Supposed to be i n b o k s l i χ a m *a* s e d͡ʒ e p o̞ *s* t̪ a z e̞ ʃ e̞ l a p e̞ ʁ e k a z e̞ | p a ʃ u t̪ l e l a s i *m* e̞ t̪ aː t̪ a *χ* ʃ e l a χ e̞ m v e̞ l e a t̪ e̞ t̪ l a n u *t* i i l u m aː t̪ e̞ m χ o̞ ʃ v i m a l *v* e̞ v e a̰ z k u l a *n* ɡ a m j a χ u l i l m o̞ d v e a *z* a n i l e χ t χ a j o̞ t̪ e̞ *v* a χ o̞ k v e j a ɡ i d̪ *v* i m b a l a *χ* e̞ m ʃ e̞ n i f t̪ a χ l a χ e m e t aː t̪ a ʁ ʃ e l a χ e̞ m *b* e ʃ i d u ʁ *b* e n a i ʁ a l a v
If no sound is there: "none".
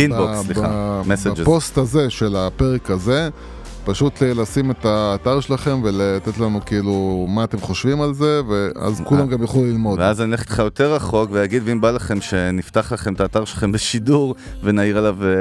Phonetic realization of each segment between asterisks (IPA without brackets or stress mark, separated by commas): e, s, m, ʁ, k, z, m, z, ʁ, v, χ, b, v